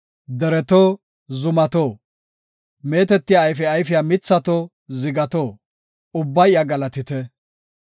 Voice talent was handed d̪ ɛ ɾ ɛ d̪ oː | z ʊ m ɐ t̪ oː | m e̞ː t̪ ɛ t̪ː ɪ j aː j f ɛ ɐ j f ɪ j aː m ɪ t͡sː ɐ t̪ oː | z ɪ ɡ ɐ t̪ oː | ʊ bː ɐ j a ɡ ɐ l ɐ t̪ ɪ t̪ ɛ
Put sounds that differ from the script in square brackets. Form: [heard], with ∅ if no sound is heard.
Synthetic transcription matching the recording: d̪ ɛ ɾ ɛ [t̪] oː | z ʊ m ɐ t̪ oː | m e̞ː t̪ ɛ t̪ː ɪ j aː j f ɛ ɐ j f ɪ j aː m ɪ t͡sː ɐ t̪ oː | z ɪ ɡ ɐ t̪ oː | ʊ bː ɐ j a ɡ ɐ l ɐ t̪ ɪ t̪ ɛ